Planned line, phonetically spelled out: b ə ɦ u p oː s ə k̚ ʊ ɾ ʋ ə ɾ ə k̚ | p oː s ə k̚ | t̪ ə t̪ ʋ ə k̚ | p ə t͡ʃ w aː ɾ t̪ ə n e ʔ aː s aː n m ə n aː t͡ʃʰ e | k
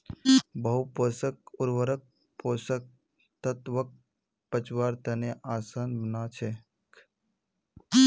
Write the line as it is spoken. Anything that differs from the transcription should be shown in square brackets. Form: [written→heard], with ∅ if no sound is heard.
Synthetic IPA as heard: b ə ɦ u p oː s ə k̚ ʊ ɾ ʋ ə ɾ ə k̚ | p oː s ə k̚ | t̪ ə t̪ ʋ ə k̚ | p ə t͡ʃ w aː ɾ t̪ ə n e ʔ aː s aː n [m→b] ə n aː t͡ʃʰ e | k